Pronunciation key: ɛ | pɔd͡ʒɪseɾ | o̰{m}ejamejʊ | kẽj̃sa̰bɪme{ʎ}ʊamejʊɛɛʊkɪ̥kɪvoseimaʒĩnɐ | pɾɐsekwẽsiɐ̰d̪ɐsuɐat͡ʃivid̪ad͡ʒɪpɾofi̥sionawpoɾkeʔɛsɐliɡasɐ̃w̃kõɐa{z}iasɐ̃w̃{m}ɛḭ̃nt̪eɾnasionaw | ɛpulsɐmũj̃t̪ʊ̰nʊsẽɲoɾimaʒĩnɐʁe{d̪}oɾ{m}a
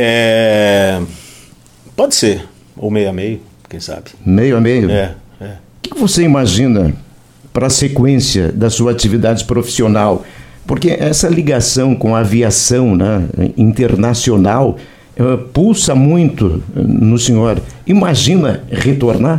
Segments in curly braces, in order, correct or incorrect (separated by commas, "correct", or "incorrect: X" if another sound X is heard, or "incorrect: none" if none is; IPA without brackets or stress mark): correct, incorrect: j, incorrect: v, incorrect: n, incorrect: t̪, incorrect: n